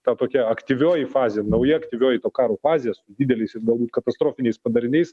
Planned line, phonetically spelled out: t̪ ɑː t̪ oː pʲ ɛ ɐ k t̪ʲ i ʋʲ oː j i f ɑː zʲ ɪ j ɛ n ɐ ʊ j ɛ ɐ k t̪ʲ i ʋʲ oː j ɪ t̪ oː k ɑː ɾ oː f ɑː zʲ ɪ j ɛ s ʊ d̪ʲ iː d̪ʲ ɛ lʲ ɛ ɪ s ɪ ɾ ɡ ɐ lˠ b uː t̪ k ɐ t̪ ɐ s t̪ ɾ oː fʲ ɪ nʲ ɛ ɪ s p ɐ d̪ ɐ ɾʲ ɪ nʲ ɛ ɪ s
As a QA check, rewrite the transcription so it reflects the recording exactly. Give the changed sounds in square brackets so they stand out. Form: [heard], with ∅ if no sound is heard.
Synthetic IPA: t̪ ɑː t̪ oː [kʲ] ɛ ɐ k t̪ʲ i ʋʲ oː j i f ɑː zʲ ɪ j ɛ n ɐ ʊ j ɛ ɐ k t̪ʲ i ʋʲ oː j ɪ t̪ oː k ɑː ɾ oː f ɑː zʲ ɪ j ɛ s ʊ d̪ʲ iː d̪ʲ ɛ lʲ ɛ ɪ s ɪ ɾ ɡ ɐ lˠ b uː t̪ k ɐ t̪ ɐ s t̪ ɾ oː fʲ ɪ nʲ ɛ ɪ s p ɐ d̪ ɐ ɾʲ ɪ nʲ ɛ ɪ s